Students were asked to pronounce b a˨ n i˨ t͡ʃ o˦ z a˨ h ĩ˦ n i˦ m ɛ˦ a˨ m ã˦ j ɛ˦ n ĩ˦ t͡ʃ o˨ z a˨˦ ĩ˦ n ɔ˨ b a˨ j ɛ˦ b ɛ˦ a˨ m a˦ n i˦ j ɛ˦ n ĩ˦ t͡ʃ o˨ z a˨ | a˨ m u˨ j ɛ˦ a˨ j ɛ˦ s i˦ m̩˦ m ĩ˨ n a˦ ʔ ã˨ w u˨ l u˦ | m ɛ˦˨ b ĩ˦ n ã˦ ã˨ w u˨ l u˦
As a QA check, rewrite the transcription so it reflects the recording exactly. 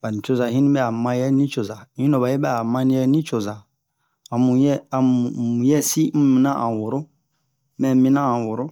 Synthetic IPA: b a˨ n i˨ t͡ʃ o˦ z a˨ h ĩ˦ n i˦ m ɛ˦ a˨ m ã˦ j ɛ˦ n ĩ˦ t͡ʃ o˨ z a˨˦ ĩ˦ n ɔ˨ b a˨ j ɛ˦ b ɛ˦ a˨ m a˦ n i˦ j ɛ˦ n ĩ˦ t͡ʃ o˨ z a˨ | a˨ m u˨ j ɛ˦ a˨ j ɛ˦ s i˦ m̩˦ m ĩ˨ n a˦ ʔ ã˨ w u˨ ɾ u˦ | m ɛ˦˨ m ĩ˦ n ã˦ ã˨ w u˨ ɾ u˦